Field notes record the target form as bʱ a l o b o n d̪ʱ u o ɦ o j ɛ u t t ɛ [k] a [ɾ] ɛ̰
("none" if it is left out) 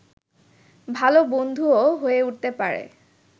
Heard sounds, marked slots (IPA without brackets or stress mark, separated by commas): p, ɹ